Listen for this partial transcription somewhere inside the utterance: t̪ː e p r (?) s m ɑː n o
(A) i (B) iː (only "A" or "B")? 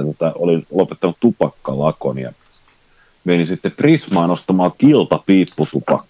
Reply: A